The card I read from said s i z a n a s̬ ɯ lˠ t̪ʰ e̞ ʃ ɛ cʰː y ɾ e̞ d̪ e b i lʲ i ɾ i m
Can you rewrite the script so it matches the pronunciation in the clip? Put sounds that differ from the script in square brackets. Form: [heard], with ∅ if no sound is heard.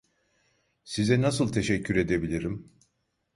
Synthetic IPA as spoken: s i z [ɛ] n a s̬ ɯ lˠ t̪ʰ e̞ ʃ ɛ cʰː y ɾ e̞ d̪ e b i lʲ i ɾ i m